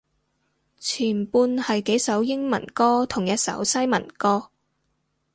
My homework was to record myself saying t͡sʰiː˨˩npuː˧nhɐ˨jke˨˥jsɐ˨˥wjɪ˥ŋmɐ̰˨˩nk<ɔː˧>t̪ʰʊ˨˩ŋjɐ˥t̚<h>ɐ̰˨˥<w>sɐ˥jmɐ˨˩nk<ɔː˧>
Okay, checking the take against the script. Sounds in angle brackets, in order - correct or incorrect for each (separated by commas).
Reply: incorrect, incorrect, correct, incorrect